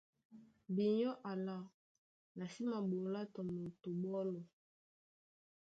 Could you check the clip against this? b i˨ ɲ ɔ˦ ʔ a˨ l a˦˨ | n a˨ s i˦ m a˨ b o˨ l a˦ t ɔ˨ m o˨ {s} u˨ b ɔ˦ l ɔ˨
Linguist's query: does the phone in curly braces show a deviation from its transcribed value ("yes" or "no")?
yes